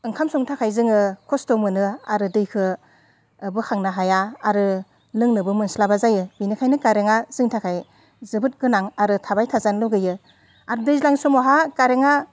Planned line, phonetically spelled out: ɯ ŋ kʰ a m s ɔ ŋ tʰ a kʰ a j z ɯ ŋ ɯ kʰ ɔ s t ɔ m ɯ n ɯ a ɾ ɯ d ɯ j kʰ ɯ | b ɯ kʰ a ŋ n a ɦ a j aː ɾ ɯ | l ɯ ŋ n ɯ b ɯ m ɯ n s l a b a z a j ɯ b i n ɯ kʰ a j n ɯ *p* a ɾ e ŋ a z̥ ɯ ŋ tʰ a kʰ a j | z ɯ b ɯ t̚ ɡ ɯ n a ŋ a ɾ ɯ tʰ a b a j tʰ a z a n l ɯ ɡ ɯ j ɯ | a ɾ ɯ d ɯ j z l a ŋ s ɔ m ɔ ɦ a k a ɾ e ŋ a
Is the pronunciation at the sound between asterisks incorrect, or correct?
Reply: incorrect